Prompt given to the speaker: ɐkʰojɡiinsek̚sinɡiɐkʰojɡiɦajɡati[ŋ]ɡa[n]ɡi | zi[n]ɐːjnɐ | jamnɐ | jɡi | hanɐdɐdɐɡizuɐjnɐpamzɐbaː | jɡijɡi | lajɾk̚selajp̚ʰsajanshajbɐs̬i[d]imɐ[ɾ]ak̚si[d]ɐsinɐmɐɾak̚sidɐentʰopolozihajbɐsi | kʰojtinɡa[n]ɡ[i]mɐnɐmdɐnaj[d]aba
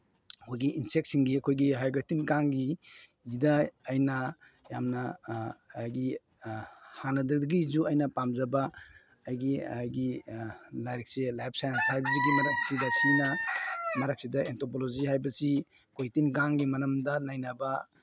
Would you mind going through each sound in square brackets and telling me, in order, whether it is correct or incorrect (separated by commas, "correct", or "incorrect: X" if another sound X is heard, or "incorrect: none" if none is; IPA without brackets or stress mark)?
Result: incorrect: n, incorrect: ŋ, incorrect: d, incorrect: ɡ, correct, correct, incorrect: ŋ, correct, incorrect: n